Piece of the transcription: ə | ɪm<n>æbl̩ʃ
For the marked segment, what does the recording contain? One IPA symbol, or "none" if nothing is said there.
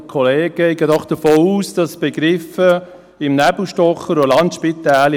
n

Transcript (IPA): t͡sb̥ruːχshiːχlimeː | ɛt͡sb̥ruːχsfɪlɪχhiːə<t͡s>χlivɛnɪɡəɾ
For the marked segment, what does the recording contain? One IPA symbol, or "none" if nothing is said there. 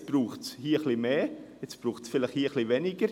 none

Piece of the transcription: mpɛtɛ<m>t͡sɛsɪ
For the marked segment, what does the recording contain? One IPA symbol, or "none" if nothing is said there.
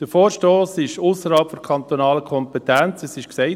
n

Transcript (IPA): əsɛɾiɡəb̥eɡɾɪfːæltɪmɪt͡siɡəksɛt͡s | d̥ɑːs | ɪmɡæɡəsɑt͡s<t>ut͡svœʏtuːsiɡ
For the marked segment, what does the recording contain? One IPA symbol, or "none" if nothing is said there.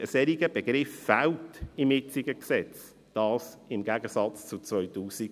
t͡s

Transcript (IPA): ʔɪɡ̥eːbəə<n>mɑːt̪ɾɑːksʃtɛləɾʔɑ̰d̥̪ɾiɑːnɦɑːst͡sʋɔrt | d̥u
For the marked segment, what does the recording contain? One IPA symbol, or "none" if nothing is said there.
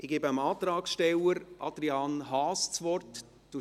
none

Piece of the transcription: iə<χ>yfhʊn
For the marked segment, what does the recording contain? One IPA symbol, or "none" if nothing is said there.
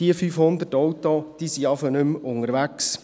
f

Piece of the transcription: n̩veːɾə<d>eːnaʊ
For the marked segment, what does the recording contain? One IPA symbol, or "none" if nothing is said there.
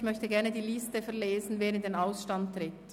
d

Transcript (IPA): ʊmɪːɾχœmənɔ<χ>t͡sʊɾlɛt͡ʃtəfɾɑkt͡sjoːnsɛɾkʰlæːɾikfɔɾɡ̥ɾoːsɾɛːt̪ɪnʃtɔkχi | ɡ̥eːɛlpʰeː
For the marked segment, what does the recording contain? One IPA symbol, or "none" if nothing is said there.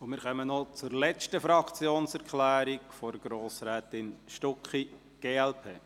none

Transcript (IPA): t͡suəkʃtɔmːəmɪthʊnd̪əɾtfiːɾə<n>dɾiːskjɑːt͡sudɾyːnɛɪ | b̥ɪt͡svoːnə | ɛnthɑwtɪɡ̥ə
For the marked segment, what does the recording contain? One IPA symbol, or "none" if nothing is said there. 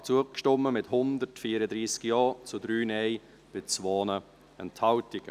none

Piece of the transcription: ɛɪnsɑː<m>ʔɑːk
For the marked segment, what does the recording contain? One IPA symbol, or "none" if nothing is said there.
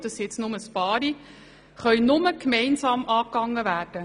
m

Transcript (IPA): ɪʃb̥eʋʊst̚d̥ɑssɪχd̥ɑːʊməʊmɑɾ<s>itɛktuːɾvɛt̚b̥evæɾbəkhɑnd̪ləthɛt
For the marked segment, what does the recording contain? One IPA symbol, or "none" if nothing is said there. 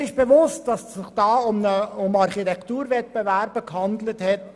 χ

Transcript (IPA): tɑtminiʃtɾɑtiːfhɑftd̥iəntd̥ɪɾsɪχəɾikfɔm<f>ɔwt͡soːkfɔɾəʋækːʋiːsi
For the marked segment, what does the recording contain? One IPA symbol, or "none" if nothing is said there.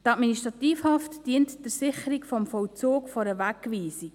f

